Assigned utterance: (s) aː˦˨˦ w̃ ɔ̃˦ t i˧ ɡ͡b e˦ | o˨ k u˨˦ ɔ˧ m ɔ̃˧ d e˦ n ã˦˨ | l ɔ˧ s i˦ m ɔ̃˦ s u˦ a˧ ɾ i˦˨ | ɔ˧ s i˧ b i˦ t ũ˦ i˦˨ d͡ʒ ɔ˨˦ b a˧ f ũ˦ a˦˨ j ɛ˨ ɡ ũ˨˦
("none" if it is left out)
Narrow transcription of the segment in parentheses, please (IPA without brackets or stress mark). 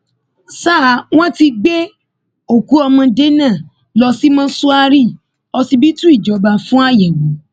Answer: s